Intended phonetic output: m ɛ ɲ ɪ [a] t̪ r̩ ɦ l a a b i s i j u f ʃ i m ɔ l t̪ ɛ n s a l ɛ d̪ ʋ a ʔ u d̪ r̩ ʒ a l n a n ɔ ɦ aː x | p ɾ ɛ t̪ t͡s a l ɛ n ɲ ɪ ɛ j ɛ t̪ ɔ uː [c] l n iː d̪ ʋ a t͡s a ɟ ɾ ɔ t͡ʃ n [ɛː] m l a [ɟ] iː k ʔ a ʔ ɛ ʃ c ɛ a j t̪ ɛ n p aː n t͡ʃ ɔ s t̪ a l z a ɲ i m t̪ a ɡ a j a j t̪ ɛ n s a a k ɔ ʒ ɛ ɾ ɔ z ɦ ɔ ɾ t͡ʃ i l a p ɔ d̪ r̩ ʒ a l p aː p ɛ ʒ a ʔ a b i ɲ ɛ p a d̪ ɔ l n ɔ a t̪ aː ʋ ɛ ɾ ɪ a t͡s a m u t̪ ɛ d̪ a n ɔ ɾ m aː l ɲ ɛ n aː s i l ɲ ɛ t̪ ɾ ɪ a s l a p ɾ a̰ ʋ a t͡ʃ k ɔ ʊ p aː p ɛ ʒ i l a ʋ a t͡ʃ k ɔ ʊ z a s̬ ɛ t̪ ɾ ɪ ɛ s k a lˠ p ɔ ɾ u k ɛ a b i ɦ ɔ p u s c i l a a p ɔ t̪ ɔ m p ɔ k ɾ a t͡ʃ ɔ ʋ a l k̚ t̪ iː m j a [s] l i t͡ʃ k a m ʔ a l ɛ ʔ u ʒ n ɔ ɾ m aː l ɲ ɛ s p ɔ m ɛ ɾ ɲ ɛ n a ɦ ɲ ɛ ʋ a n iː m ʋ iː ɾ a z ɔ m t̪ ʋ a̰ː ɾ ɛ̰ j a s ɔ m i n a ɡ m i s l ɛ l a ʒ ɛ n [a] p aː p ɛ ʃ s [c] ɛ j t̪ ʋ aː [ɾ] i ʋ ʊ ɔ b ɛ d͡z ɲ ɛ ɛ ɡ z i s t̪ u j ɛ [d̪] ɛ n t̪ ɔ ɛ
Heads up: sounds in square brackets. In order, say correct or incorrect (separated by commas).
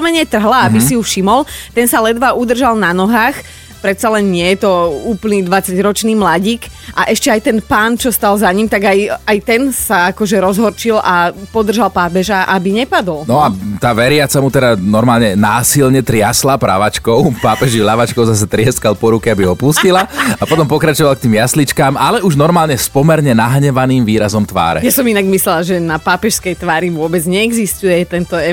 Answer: incorrect, incorrect, incorrect, correct, correct, correct, incorrect, correct, incorrect